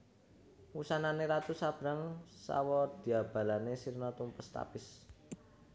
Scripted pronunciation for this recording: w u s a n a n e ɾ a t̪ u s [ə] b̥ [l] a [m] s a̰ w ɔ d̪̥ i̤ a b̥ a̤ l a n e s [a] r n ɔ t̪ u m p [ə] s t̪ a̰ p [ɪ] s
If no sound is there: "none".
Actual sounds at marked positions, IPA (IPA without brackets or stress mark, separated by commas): a, ɾ, ŋ, i, ə, ɪ